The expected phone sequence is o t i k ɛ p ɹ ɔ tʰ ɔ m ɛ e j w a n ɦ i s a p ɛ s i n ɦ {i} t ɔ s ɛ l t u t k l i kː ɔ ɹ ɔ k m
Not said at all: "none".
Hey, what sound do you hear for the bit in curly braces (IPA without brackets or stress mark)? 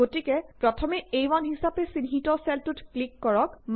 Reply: i